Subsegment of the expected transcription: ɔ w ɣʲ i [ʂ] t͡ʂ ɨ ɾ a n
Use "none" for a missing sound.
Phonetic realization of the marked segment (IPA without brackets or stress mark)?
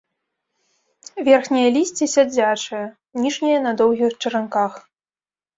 x